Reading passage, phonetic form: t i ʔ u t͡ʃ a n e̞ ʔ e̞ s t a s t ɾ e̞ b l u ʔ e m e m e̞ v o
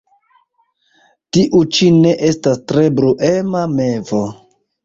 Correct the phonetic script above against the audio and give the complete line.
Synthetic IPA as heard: t i ʔ u t͡ʃ i n e̞ ʔ e̞ s t a s t ɾ e̞ b ɾ u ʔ e m a m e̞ v o